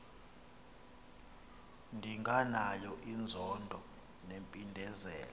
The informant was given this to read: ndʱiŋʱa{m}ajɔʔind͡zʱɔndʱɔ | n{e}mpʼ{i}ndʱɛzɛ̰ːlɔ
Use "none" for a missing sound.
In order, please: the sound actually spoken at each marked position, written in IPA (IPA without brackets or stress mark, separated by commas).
n, e, i